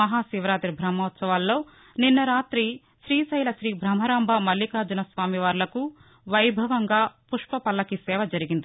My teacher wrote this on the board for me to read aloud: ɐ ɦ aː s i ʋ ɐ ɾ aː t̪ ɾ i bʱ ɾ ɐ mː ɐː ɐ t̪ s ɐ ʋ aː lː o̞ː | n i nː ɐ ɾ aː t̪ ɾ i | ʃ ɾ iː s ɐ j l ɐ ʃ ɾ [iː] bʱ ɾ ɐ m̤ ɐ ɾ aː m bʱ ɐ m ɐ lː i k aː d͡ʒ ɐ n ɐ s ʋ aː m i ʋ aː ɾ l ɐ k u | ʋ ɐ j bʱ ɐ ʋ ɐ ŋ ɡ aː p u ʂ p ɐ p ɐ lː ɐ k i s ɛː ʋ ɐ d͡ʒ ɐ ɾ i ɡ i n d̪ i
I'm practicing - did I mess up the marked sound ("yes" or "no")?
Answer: no